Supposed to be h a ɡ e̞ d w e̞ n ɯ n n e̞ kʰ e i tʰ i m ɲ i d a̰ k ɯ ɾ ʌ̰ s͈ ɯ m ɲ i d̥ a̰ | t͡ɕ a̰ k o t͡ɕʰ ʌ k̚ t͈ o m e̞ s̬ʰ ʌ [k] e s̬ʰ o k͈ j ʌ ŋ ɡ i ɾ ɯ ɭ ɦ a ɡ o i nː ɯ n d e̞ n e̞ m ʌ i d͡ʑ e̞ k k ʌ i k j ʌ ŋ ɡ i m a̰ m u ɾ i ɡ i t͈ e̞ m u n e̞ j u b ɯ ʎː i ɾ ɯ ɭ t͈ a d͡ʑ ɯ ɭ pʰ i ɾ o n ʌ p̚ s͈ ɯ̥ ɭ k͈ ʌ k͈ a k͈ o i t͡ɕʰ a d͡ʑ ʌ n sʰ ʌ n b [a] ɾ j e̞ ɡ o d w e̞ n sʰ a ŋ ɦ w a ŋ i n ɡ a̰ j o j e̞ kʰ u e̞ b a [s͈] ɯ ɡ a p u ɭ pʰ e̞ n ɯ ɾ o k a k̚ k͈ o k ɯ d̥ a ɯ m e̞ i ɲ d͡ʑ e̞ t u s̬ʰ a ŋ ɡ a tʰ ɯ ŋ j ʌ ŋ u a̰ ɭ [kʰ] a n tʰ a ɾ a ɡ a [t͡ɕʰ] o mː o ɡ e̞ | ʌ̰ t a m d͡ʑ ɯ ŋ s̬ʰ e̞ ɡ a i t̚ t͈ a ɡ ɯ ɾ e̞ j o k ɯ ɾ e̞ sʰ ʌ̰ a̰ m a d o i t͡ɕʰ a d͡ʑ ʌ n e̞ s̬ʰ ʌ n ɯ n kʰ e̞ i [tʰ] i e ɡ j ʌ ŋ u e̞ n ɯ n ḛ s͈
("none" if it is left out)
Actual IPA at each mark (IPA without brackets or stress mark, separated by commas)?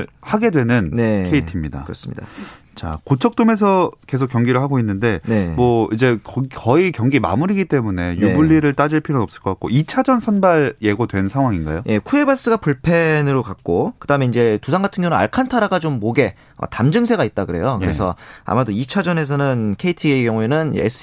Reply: k, a, s͈, kʰ, t͡ɕ, tʰ